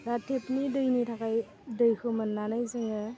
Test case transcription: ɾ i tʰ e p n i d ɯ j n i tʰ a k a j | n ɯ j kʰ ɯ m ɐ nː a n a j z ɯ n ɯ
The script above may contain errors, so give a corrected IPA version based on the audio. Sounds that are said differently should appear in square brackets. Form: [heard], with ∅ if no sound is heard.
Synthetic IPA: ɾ [a] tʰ e p n i d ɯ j n i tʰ a k a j | [d] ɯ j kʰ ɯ m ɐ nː a n a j z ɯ [ŋ] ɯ